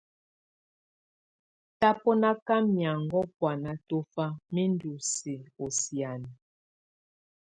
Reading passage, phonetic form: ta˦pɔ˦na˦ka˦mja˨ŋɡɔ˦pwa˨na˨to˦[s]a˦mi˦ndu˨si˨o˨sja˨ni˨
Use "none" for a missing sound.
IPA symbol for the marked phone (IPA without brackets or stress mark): f